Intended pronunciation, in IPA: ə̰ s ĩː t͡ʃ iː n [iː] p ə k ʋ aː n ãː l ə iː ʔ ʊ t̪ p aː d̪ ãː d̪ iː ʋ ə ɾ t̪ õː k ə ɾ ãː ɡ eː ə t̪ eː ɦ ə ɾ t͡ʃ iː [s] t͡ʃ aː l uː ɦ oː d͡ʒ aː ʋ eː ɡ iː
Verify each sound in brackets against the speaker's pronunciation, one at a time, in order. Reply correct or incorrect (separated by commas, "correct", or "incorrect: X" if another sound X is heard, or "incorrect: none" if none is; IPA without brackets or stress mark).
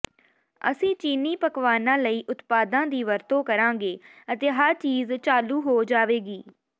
correct, incorrect: z